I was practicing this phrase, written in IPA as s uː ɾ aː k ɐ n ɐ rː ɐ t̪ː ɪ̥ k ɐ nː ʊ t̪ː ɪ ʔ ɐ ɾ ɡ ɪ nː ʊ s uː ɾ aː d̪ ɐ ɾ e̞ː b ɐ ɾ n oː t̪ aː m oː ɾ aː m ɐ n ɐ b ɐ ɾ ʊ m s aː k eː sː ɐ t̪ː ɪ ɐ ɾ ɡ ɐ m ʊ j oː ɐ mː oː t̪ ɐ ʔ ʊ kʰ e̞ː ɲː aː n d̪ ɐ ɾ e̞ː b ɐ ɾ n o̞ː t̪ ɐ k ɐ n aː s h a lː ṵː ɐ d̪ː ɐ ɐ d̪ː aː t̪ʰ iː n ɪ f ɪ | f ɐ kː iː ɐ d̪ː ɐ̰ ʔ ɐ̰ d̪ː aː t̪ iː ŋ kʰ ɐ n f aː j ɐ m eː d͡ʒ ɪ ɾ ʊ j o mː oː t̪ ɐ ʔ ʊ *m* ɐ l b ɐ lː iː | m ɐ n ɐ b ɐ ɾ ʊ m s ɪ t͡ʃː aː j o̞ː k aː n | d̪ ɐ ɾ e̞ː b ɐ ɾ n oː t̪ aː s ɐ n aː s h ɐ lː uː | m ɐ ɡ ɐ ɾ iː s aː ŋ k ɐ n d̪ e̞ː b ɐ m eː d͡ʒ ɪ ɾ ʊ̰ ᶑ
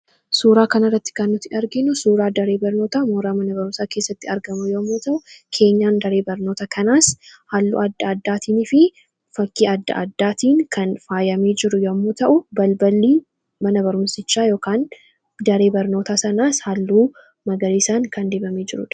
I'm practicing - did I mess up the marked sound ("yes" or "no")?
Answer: yes